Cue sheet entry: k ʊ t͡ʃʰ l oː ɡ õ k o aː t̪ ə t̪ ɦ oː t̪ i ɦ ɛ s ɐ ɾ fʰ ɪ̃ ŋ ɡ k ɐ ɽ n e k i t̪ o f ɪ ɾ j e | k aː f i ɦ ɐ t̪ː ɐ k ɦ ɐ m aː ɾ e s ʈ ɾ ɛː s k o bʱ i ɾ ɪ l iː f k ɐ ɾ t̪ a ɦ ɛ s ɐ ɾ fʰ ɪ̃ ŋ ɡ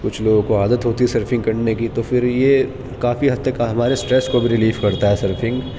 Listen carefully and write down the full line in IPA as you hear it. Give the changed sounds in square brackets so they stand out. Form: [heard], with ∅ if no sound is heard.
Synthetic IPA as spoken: k ʊ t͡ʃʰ l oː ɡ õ k o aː [d̪] ə t̪ ɦ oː t̪ i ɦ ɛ s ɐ ɾ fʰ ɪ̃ ŋ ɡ k ɐ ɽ n e k i t̪ o f ɪ ɾ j e | k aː f i ɦ ɐ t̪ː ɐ k ɦ ɐ m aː ɾ e s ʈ ɾ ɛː s k o bʱ i ɾ ɪ l iː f k ɐ ɾ t̪ a ɦ ɛ s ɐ ɾ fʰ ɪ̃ ŋ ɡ